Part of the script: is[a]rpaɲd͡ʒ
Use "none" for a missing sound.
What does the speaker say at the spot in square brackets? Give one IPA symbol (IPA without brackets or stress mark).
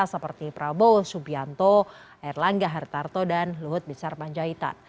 a